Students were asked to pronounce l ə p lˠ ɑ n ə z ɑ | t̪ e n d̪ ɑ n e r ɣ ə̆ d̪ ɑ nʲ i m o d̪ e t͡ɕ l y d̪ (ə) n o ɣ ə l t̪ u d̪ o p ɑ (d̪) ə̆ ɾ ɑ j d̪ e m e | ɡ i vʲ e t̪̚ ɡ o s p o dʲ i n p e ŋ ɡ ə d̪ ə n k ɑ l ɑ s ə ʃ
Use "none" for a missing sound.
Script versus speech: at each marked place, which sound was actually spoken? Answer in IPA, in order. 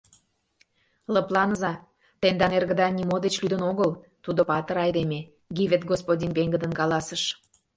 ə, t̪

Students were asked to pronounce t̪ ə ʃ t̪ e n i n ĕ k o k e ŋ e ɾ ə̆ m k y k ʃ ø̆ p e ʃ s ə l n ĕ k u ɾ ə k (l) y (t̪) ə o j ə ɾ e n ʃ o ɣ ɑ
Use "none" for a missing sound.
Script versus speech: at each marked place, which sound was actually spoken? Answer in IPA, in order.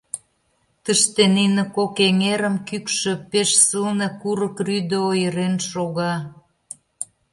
r, d̪

